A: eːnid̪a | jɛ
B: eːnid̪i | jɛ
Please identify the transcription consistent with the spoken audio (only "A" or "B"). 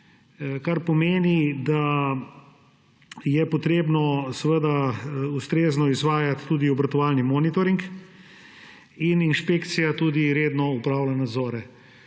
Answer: A